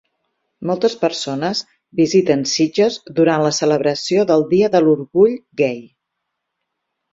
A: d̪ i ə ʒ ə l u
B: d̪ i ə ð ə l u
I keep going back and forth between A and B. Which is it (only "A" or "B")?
B